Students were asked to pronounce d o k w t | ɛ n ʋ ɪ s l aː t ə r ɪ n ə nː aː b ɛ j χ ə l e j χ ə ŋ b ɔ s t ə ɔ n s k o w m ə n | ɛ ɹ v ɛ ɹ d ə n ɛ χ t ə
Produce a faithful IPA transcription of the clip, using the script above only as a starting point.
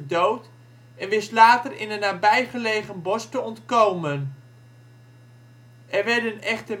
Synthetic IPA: d o w t | ɛ n ʋ ɪ s l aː t ə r ɪ n ə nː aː b ɛ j χ ə l e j χ ə n b ɔ s t ə ɔ n t k o w m ə n | ɛ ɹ ʋ ɛ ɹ d ə n ɛ χ t ə